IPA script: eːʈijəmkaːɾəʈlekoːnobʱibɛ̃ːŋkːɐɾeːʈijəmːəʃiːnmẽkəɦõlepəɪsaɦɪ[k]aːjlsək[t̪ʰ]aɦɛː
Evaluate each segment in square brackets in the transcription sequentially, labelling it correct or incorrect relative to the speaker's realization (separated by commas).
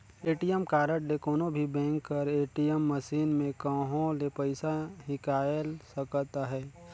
correct, incorrect